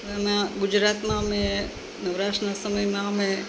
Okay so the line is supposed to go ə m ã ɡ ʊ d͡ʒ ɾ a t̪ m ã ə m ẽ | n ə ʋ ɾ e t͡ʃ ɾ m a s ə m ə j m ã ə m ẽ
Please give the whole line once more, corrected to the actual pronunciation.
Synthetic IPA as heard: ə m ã ɡ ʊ d͡ʒ ɾ a t̪ m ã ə m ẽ | n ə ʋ ɾ a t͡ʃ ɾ n a s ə m ə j m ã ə m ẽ